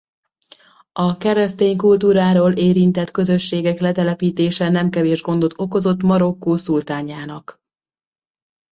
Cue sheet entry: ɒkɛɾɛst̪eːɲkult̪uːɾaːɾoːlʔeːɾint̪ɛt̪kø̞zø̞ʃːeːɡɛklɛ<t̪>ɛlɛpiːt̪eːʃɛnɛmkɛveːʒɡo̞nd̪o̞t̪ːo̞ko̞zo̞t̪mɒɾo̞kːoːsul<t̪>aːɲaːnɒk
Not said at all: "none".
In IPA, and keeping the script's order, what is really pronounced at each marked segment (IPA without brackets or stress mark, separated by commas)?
t̪, t̪